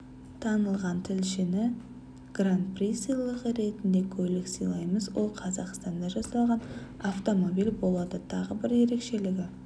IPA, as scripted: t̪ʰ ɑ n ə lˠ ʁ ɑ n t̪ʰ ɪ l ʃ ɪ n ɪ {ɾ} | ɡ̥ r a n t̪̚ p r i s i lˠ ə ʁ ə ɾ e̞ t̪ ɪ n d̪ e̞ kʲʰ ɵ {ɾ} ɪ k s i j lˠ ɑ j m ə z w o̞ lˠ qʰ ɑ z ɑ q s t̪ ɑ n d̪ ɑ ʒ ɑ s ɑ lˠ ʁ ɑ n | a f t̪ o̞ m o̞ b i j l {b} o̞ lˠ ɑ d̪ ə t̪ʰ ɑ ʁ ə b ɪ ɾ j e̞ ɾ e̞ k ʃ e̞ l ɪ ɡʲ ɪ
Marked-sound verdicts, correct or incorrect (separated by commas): incorrect, incorrect, correct